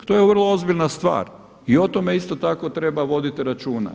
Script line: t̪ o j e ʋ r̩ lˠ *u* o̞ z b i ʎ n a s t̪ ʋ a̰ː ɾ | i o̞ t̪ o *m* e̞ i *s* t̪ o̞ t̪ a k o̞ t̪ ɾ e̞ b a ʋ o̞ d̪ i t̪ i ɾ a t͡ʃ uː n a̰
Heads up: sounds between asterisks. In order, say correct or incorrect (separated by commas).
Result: incorrect, correct, correct